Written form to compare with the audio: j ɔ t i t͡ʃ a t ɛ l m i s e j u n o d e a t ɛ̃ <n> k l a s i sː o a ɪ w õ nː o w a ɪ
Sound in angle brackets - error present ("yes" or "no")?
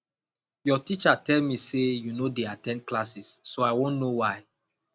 no